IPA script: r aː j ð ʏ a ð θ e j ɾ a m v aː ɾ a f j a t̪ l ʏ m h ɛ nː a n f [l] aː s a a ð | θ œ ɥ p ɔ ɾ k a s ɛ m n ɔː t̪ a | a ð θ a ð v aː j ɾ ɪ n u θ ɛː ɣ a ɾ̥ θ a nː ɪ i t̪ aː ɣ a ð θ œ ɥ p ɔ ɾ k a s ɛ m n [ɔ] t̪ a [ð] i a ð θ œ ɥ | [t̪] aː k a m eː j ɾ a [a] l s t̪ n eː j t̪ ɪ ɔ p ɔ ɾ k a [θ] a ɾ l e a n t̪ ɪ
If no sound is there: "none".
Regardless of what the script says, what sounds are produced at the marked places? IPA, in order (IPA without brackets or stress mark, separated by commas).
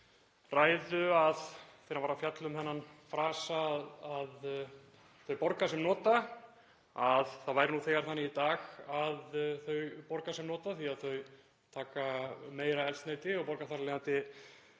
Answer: ɾ, ɔː, θ, t̪ʰ, ɛ, θ